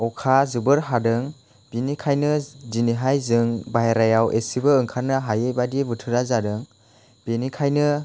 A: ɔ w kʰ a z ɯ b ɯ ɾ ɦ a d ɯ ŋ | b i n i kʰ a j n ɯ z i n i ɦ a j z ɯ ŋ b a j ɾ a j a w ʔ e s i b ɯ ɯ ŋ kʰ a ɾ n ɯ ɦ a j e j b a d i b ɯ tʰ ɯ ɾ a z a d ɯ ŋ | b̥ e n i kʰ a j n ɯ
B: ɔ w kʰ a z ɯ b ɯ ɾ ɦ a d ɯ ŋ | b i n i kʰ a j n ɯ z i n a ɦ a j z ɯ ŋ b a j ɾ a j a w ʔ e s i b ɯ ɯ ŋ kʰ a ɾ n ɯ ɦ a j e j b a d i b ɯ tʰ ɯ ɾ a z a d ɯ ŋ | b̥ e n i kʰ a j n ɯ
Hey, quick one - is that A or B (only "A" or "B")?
A